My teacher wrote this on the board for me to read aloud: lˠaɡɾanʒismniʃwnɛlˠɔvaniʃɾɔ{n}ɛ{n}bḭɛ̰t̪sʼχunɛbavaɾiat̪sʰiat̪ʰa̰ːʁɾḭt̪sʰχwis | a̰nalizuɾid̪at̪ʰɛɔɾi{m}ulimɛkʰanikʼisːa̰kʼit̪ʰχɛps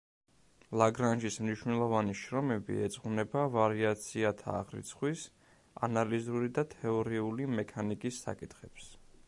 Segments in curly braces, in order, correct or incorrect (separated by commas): incorrect, incorrect, incorrect